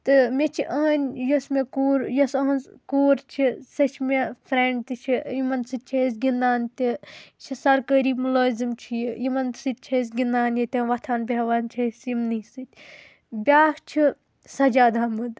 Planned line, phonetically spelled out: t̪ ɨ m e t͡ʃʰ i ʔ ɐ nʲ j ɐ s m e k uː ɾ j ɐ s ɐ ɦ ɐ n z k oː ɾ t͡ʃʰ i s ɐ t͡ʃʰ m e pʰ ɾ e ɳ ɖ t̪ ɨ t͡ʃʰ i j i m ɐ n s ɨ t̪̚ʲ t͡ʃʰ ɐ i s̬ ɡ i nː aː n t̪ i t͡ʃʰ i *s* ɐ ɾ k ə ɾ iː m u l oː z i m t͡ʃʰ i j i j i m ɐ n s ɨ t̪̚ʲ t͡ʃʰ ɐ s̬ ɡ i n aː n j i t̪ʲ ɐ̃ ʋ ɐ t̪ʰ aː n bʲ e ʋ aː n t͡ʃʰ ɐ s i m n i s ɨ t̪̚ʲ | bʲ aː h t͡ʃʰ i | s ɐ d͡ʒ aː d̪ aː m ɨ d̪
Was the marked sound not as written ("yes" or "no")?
no